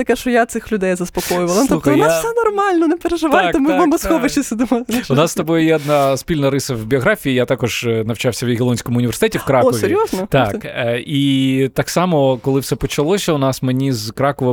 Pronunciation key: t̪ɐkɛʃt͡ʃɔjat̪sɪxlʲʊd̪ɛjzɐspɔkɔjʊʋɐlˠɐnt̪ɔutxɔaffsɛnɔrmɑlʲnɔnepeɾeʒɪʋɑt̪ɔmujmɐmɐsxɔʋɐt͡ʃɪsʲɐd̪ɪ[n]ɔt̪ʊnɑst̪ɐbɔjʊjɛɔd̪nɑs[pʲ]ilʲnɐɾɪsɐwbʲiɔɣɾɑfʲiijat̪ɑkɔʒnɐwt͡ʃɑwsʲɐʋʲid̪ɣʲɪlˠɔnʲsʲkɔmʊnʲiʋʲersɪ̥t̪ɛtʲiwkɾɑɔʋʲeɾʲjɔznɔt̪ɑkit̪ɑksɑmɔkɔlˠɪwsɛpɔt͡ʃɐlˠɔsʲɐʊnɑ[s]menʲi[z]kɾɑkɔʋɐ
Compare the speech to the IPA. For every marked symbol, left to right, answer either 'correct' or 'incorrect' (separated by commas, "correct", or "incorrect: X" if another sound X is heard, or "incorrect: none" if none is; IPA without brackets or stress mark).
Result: incorrect: m, correct, correct, correct